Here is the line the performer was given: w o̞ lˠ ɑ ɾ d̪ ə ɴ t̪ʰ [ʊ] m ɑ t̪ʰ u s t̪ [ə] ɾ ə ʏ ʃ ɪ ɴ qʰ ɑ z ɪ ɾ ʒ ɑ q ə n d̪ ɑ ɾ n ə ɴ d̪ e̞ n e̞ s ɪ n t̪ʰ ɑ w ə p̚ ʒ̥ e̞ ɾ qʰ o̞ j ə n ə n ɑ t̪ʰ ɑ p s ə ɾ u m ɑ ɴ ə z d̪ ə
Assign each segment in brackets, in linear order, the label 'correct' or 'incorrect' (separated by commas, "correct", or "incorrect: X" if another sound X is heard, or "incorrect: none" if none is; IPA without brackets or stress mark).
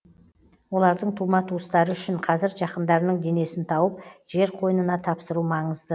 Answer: incorrect: u, incorrect: ɑ